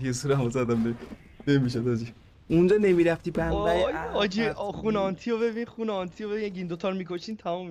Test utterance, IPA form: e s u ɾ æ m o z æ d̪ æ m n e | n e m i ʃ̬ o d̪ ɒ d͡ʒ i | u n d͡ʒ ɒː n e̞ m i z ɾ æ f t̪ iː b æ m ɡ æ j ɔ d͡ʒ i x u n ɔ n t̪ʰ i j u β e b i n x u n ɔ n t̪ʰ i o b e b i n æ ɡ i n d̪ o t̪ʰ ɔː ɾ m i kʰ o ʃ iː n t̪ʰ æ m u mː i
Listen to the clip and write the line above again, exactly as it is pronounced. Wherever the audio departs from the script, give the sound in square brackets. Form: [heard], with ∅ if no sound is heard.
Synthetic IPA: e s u ɾ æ m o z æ d̪ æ m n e | n e m i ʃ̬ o d̪ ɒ d͡ʒ i | u n d͡ʒ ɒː n e̞ m i [∅] ɾ æ f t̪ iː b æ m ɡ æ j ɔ d͡ʒ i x u n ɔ n t̪ʰ i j [o] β e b i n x u n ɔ n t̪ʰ i o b e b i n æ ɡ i n d̪ o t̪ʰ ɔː ɾ m i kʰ o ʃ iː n t̪ʰ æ m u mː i